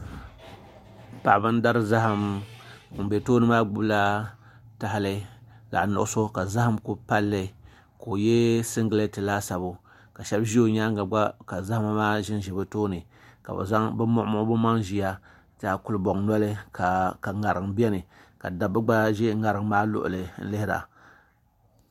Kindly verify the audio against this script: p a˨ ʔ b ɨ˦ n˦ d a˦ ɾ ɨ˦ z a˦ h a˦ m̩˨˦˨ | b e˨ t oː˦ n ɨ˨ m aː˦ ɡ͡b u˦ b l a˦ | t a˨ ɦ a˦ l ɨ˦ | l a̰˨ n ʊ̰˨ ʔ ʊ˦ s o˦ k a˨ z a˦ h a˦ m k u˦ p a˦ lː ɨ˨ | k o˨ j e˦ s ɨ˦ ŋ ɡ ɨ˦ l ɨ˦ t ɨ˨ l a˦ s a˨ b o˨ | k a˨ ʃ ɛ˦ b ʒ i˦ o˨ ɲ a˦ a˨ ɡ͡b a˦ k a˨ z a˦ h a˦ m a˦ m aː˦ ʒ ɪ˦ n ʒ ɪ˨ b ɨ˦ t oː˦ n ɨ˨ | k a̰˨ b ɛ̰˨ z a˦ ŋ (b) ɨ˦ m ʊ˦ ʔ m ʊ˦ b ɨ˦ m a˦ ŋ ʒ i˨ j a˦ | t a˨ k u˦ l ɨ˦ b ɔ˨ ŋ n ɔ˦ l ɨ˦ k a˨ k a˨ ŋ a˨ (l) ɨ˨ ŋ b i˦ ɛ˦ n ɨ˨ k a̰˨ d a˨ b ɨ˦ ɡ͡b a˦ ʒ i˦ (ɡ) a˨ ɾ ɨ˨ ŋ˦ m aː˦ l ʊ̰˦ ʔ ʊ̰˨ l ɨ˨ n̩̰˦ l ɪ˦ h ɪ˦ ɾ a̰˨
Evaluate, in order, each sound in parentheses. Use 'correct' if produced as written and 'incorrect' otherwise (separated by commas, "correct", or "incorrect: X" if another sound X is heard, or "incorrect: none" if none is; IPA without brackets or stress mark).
correct, incorrect: ɾ, incorrect: ŋ